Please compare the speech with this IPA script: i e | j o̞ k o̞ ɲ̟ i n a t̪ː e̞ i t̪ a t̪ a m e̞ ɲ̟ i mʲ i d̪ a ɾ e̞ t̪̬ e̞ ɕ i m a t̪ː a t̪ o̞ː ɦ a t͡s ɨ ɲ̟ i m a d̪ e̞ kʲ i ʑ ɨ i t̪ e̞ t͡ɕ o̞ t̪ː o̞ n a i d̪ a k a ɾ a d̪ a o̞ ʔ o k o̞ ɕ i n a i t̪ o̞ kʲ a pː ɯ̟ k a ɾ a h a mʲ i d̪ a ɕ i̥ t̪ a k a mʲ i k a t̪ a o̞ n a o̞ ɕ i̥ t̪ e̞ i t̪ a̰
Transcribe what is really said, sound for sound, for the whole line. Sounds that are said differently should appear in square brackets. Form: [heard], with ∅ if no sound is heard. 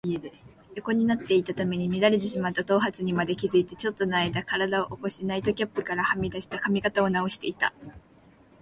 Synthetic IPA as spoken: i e | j o̞ k o̞ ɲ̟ i n a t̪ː e̞ i t̪ a t̪ a m e̞ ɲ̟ i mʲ i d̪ a ɾ e̞ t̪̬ e̞ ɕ i m a t̪ː a t̪ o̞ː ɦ a t͡s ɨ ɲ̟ i m a d̪ e̞ kʲ i [z] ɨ i t̪ e̞ t͡ɕ o̞ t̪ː o̞ n a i d̪ a k a ɾ a d̪ a o̞ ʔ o k o̞ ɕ i n a i t̪ o̞ kʲ a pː ɯ̟ k a ɾ a h a mʲ i d̪ a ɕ i̥ t̪ a k a mʲ i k a t̪ a o̞ n a o̞ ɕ i̥ t̪ e̞ i t̪ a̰